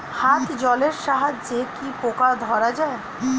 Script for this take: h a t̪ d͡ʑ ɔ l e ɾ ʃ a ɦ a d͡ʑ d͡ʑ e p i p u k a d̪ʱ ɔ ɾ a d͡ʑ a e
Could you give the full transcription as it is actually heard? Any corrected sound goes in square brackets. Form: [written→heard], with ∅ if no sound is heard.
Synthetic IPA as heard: h a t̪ d͡ʑ ɔ l e ɾ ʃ a ɦ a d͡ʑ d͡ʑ e [p→k] i p [u→o] k a d̪ʱ ɔ ɾ a d͡ʑ a e